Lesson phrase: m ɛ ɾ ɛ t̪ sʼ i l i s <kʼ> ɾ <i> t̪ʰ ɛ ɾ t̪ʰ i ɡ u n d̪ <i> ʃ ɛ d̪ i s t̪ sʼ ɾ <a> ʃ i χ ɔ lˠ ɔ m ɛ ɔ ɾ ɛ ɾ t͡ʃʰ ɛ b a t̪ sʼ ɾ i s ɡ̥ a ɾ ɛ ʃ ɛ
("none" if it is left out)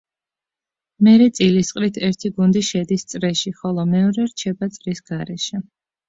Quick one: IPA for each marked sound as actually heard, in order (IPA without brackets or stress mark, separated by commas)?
qʼ, i, i, ɛ